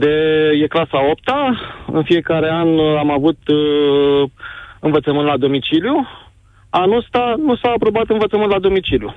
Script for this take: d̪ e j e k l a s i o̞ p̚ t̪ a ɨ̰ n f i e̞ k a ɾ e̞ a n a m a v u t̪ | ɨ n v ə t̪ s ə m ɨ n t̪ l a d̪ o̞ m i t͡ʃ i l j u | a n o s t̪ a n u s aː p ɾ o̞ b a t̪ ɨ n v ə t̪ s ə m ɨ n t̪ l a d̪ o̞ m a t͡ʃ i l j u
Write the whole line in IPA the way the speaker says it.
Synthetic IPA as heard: d̪ e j e k l a s a o̞ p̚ t̪ a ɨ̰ n f i e̞ k a ɾ e̞ a n a m a v u t̪ | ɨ n v ə t̪ s ə m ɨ n t̪ l a d̪ o̞ m i t͡ʃ i l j u | a n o s t̪ a n u s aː p ɾ o̞ b a t̪ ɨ n v ə t̪ s ə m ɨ n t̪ l a d̪ o̞ m i t͡ʃ i l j u